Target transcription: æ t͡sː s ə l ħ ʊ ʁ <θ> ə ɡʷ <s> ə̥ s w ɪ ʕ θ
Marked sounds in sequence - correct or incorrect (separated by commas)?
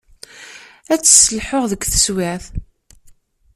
incorrect, incorrect